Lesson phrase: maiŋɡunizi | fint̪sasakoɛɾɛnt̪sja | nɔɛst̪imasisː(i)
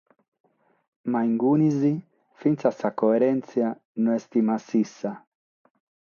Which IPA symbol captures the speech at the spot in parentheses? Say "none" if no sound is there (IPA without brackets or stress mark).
a